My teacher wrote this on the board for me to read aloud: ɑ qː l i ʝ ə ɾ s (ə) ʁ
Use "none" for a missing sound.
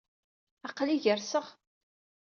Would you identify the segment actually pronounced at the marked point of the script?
ə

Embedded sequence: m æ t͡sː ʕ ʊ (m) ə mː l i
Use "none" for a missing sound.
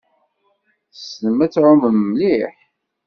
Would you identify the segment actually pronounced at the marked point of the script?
m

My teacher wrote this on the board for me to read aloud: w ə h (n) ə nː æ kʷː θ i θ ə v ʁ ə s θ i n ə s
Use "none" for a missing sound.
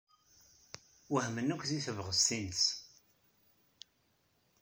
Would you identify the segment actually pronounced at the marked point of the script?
m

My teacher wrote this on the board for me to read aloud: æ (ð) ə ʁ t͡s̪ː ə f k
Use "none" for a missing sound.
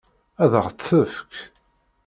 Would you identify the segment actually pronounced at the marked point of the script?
ð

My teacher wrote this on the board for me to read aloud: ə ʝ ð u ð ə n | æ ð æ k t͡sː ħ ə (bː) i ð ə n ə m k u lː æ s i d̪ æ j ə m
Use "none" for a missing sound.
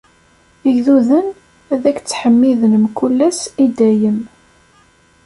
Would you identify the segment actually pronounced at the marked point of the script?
mː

